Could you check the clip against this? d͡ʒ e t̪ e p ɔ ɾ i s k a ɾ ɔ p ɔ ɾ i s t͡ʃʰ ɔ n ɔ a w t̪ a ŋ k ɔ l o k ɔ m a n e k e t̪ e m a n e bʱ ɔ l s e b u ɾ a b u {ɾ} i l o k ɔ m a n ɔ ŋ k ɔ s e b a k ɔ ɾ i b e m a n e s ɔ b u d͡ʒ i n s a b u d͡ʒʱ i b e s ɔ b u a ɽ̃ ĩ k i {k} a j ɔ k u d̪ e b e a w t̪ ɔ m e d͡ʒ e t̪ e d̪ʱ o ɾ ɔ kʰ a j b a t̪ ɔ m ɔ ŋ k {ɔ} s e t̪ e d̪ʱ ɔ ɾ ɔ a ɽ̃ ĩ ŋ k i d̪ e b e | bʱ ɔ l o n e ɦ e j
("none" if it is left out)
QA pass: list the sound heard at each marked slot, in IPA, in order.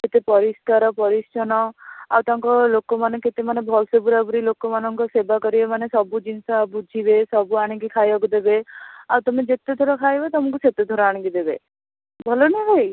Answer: ɾ, kʰ, u

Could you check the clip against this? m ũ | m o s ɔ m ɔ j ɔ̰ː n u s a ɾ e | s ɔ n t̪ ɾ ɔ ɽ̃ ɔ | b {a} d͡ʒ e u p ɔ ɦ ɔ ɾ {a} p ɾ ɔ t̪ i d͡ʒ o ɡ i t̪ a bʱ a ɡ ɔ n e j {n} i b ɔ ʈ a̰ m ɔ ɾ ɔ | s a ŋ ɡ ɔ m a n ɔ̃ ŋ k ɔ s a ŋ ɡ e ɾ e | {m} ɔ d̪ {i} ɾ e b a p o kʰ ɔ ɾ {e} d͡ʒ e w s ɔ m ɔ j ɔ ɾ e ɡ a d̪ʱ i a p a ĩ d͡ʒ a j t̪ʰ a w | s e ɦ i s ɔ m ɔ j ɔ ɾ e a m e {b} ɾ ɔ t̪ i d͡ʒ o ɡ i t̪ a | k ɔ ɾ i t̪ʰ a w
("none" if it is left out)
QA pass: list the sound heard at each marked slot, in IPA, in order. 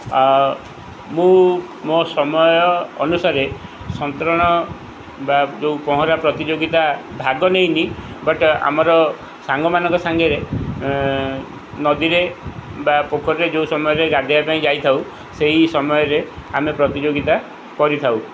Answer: a, a, n, n, i, e, p

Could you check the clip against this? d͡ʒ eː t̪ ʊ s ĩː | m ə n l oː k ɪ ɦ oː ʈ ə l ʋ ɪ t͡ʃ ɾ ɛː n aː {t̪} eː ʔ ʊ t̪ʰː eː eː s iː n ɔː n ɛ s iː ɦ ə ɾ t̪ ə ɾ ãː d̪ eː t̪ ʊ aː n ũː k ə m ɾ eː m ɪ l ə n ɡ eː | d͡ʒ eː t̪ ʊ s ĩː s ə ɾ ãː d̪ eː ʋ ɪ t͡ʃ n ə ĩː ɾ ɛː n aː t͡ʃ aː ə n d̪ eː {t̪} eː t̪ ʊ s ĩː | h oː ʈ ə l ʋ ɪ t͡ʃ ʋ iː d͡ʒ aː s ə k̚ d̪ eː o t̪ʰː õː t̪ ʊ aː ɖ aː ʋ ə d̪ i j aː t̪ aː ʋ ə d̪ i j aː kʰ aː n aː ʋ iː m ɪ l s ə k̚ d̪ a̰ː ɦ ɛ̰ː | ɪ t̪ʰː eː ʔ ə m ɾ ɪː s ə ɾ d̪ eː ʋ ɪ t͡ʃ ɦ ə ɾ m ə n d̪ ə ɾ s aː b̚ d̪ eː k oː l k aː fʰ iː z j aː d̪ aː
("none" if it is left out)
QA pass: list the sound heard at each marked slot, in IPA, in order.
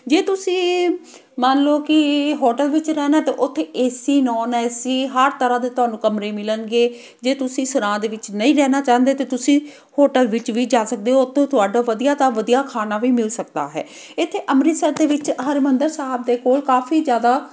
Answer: t̪, t̪

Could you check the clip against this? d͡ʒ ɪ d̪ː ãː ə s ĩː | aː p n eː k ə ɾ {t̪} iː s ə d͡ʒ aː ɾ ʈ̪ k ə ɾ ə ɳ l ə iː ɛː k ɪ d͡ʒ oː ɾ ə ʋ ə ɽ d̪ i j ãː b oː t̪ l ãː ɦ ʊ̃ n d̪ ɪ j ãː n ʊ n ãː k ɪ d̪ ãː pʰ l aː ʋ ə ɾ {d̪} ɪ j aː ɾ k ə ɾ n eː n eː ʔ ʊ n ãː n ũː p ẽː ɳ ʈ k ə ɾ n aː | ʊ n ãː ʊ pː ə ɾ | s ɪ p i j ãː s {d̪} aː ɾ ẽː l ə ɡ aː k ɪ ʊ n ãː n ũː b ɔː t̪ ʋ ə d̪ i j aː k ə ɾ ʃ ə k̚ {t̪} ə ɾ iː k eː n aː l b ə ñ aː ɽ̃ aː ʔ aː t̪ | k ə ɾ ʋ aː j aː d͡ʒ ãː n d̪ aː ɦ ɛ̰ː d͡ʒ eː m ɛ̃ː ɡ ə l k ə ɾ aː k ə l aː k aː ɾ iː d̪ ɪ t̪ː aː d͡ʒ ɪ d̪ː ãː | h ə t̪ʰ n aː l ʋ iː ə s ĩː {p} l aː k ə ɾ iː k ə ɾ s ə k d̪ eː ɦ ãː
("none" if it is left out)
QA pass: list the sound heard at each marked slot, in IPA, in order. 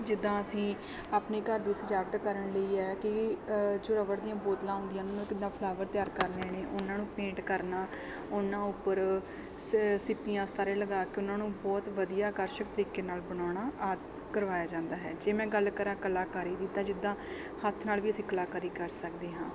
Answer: d̪, t̪, t̪, t̪, k

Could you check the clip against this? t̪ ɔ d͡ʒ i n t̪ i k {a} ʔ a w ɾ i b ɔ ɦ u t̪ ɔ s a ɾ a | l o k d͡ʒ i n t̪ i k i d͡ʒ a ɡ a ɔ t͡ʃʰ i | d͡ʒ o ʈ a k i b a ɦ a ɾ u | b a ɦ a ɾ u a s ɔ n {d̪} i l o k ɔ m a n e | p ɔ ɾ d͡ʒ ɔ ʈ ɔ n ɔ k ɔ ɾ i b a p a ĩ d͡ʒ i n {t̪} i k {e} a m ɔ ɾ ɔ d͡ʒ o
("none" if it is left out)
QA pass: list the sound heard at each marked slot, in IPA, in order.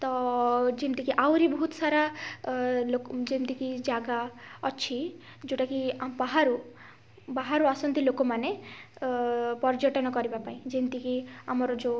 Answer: i, t̪, t̪, i

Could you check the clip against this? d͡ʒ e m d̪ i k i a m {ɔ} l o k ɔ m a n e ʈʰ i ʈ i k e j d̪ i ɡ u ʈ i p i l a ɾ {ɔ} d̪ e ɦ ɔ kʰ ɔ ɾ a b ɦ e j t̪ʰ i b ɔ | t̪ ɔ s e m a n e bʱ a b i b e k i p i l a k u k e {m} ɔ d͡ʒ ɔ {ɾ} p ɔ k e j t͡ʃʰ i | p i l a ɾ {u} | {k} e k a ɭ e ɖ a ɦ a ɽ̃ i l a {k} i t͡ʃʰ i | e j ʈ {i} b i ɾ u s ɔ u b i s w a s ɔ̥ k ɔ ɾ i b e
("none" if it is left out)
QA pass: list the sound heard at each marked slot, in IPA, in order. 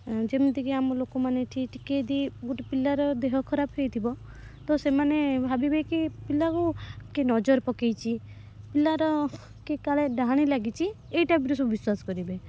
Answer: ɔ, ɔ, n, ɾ, ɔ, k, ɡ, a

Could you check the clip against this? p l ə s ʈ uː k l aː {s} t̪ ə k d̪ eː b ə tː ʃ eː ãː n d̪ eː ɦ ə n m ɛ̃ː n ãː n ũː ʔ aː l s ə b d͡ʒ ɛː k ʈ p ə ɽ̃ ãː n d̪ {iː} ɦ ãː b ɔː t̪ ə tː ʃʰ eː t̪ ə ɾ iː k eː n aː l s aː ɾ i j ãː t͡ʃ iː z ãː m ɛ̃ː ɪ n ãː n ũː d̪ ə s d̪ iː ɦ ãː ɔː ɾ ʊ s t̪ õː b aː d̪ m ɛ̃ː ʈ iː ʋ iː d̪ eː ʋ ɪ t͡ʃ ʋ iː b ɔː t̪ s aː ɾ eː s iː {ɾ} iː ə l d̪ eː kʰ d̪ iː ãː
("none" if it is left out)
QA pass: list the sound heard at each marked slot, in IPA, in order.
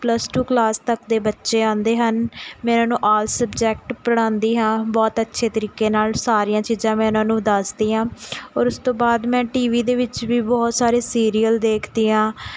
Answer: s, iː, ɾ

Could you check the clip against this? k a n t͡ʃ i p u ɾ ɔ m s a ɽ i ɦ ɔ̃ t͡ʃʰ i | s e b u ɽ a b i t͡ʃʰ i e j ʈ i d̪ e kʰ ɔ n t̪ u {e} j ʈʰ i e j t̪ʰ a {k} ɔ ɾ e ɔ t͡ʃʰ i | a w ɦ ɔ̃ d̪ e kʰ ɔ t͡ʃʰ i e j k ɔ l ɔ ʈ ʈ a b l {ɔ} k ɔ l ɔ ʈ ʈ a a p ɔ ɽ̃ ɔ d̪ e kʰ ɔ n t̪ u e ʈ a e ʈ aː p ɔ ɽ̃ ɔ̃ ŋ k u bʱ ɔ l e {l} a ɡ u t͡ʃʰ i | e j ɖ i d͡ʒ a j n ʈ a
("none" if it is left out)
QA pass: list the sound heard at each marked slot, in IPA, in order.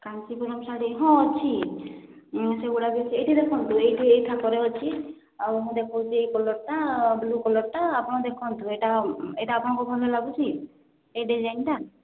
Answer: e, k, u, l

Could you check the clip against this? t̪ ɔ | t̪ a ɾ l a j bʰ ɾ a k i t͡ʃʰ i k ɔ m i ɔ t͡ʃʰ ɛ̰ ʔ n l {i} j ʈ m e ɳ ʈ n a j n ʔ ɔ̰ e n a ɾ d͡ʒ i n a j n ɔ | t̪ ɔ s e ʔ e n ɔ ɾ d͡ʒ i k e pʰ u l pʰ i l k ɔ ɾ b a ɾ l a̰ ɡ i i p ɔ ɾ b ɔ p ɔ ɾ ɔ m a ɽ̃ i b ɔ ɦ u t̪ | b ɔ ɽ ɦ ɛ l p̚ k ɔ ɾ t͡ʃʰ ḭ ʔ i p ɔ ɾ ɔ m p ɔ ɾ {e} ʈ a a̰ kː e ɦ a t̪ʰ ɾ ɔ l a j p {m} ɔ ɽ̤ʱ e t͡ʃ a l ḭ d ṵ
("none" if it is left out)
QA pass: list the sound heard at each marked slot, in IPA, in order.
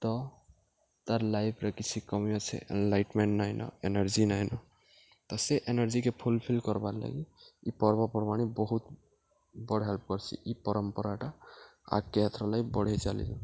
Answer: a, a, b

